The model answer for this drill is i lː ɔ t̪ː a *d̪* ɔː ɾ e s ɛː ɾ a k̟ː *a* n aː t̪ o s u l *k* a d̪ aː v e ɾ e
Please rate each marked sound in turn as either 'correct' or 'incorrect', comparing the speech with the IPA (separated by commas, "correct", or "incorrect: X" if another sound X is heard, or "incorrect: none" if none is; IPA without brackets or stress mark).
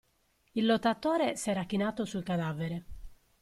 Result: incorrect: t̪, incorrect: i, correct